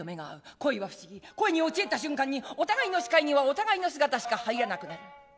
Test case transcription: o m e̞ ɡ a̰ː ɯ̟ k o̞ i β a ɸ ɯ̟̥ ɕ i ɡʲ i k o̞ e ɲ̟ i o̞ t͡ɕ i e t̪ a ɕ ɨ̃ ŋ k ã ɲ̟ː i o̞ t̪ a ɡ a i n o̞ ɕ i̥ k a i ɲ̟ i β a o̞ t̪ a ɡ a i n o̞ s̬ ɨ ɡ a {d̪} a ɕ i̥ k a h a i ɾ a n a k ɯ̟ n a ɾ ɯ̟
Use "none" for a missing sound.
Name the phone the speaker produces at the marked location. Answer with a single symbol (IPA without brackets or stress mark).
t̪